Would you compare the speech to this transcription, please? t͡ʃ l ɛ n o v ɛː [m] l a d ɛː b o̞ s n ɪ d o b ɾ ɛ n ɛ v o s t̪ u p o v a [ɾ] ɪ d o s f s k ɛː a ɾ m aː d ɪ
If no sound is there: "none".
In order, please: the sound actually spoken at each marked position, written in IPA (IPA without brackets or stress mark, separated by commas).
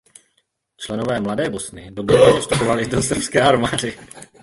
m, l